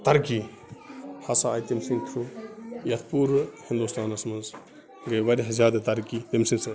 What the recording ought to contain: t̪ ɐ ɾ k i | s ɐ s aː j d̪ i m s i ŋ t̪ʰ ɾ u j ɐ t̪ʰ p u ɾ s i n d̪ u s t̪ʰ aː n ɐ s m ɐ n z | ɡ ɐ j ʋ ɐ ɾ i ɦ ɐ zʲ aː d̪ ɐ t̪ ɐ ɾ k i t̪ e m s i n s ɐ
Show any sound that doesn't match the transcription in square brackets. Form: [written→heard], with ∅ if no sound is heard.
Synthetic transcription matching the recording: t̪ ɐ ɾ k i | [s→h] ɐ s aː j [d̪→t̪] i m s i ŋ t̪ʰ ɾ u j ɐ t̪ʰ p u ɾ [s→h] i n d̪ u s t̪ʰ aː n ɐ s m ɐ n z | ɡ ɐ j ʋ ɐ ɾ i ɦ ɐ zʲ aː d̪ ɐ t̪ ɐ ɾ k i t̪ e m s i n s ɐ